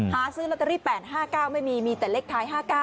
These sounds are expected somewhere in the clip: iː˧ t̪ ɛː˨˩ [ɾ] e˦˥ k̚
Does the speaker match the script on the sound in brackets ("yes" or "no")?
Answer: no